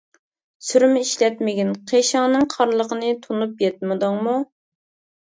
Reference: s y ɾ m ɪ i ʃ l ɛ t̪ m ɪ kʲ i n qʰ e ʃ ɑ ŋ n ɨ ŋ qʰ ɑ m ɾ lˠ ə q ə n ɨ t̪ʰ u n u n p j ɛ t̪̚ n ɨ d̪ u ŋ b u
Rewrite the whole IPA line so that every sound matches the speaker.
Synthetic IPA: s y ɾ m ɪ i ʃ l ɛ t̪ m ɪ ɡʲ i n qʰ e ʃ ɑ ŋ n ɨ ŋ qʰ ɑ ɾ lˠ ə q ə n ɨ t̪ʰ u n u p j ɛ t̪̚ m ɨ d̪ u ŋ m u